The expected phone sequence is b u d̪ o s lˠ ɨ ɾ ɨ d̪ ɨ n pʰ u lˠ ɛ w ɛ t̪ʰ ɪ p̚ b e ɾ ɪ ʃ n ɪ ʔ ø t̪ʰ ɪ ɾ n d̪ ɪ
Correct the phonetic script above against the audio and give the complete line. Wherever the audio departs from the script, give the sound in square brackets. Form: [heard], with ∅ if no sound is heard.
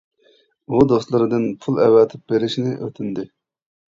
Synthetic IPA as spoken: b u d̪ o s lˠ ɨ ɾ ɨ d̪ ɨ n pʰ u lˠ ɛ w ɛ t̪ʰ ɪ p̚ b e ɾ ɪ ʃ n ɪ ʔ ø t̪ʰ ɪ [∅] n d̪ ɪ